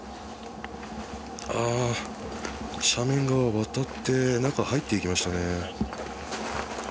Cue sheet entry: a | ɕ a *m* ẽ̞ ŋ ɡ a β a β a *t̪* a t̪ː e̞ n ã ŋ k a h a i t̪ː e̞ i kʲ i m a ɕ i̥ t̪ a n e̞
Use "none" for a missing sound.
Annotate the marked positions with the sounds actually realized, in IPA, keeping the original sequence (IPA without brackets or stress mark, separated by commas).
m, t̪